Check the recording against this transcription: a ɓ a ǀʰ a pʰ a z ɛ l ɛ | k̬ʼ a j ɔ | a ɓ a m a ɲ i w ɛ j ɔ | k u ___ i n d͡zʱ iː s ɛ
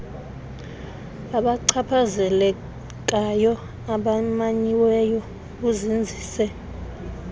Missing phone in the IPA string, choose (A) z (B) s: A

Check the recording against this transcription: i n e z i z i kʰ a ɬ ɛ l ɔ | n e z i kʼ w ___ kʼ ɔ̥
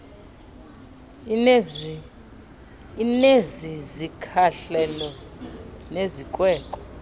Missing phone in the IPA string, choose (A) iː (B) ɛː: B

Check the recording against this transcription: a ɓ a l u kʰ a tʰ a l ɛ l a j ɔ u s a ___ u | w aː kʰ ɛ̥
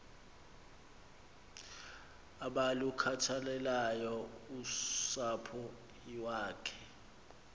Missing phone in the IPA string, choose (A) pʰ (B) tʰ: A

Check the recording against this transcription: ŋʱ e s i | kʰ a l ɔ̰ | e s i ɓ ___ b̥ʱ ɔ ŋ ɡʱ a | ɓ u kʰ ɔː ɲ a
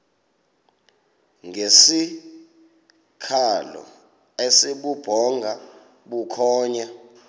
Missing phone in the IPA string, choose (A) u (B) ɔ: A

